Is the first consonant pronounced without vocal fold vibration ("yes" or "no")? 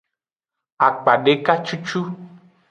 yes